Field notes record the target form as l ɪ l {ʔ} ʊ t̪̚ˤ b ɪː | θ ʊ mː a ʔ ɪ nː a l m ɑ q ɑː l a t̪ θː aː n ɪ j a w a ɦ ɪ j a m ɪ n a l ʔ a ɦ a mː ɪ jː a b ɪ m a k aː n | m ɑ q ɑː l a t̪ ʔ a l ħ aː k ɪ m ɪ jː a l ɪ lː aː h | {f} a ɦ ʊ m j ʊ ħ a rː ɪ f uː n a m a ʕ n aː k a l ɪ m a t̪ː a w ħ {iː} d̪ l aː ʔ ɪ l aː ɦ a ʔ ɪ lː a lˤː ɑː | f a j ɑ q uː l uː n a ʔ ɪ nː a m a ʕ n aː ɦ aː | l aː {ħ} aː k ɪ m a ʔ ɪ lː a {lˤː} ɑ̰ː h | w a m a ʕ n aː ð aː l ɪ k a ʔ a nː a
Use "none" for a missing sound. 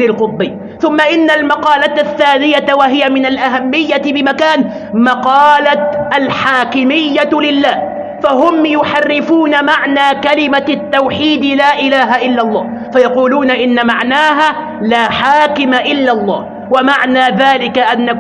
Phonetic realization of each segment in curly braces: q, f, iː, ħ, lˤː

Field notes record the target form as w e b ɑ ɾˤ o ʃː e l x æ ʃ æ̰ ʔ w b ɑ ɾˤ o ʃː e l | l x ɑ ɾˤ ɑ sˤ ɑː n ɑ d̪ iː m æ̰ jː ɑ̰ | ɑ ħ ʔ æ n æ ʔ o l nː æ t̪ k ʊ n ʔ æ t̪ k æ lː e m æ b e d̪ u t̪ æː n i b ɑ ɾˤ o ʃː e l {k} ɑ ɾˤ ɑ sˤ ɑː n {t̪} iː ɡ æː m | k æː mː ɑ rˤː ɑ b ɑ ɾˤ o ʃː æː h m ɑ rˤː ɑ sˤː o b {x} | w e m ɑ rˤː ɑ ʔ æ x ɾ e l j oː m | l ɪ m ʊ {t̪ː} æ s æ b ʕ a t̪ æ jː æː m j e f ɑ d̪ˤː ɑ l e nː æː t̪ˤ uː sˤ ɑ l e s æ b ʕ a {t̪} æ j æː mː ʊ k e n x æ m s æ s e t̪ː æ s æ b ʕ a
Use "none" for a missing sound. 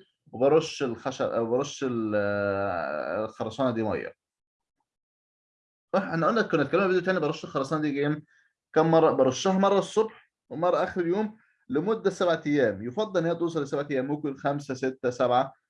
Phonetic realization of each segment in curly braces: x, d̪, ħ, d̪ː, t̪

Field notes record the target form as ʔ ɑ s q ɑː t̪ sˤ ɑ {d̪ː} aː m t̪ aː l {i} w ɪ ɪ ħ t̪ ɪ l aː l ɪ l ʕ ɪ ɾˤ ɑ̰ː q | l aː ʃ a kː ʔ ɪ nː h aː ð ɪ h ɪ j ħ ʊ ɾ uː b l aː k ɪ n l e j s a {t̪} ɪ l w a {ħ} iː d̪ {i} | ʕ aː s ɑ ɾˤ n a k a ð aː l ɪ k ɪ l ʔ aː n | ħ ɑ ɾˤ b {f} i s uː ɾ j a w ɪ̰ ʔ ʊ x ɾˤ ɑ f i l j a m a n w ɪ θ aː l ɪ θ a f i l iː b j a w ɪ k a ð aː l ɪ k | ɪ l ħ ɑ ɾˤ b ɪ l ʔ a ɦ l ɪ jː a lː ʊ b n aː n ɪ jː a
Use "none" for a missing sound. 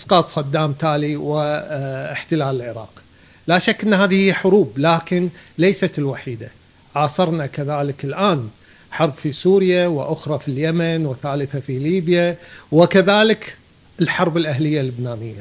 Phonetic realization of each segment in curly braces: d̪ː, i, t̪, ħ, a, f

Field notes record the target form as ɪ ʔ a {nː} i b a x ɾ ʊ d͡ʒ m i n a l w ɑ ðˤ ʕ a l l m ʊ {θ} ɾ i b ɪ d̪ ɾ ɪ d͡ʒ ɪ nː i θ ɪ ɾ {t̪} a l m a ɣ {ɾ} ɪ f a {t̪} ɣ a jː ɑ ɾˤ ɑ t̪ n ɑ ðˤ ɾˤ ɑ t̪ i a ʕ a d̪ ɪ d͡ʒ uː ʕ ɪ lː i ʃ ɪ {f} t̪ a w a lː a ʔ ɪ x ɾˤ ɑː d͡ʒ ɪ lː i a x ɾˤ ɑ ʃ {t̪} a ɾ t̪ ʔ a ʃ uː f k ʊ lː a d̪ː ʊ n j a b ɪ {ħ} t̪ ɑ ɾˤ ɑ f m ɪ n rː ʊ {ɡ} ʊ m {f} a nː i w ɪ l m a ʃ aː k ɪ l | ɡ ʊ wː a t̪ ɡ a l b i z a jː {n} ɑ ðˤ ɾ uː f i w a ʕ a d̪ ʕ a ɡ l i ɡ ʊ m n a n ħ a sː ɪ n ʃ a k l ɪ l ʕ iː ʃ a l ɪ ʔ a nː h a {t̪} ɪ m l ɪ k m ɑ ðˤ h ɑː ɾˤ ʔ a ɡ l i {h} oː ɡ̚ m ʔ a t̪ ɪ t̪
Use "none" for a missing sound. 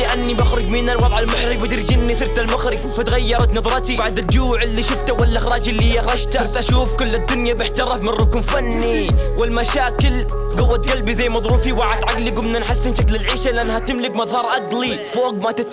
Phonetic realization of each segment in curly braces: nː, ħ, t̪, ɾ, t̪, f, t̪, ħ, k, f, m, t̪, f

